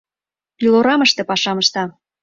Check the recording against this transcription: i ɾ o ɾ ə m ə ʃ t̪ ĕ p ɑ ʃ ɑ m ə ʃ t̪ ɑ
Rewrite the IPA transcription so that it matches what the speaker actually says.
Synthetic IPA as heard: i l o ɾ ɑ m ə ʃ t̪ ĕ p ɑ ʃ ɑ m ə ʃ t̪ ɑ